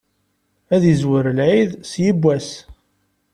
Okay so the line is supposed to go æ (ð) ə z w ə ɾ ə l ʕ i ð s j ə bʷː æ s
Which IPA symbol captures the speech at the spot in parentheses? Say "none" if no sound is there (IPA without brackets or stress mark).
ð